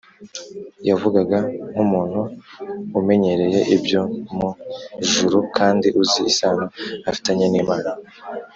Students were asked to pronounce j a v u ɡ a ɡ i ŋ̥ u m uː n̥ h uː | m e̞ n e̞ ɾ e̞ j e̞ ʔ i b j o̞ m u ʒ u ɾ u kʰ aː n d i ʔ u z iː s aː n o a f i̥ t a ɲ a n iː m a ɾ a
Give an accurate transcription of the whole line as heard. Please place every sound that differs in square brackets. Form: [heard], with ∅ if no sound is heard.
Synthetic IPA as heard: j a v u ɡ a ɡ [a] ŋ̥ u m uː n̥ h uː | m e̞ [ɲ] e̞ ɾ e̞ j e̞ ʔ i b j o̞ m u ʒ u ɾ u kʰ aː n d i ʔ u z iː s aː n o a f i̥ t a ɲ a n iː m a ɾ a